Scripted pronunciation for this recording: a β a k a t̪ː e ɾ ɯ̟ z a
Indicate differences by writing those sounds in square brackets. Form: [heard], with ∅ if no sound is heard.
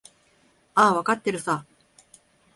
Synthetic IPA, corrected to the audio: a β a k a t̪ː e ɾ ɯ̟ [s] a